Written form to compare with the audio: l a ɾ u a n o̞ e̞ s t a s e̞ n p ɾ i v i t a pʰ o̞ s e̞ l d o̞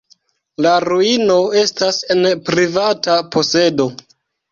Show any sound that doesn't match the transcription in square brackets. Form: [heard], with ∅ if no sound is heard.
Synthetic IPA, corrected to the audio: l a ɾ u [i] n o̞ e̞ s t a s e̞ n p ɾ i v [a] t a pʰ o̞ s e̞ [∅] d o̞